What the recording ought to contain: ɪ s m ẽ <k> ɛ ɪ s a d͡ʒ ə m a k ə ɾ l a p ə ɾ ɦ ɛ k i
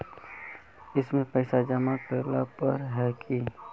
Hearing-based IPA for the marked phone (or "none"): p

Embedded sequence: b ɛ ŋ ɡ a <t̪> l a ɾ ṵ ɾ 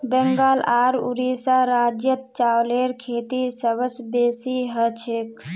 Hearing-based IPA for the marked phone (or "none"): none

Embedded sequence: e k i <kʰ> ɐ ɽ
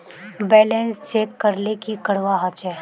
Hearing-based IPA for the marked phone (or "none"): k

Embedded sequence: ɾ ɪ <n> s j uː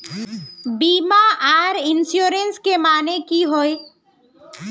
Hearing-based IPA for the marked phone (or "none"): n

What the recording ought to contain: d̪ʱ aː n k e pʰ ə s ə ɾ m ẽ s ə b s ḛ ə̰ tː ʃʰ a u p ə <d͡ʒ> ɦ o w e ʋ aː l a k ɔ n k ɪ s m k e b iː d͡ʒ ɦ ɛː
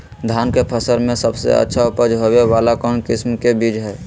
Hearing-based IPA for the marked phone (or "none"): d͡ʒ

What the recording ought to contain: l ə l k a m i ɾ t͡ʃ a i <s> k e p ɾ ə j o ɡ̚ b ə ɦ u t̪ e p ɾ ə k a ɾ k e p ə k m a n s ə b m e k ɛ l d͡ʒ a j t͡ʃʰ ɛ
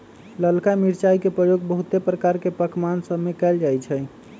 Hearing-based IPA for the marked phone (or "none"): none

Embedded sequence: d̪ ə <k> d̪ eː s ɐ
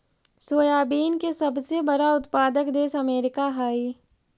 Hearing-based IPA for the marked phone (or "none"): k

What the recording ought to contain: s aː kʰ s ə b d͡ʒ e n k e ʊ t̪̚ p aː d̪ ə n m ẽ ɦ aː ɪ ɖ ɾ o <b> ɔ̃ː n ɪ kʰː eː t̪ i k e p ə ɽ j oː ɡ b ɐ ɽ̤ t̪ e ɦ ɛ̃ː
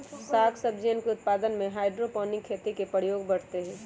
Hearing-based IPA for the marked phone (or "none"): p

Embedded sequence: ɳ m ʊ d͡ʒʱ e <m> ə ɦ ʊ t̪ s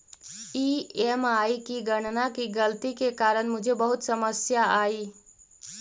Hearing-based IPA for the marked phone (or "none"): b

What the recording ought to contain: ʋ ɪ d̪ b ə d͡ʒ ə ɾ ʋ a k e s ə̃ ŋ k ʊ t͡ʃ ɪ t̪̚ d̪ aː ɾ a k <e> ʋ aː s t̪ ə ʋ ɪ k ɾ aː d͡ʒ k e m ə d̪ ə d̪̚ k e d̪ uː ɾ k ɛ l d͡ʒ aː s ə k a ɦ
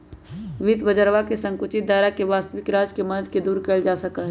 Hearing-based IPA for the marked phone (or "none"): e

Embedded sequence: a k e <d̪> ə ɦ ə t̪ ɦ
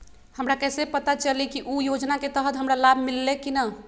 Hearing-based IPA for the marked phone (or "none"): t̪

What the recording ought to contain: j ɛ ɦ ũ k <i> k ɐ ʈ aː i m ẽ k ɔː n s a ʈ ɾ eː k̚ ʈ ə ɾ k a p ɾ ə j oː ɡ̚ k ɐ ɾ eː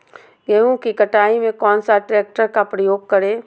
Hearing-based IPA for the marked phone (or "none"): i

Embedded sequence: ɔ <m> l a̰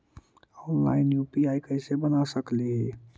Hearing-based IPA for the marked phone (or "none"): n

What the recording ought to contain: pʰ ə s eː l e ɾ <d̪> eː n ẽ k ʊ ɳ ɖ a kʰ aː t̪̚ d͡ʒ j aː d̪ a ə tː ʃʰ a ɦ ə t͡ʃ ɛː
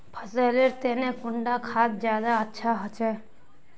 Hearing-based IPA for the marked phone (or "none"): t̪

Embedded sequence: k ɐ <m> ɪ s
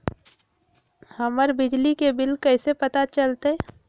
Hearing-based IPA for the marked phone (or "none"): none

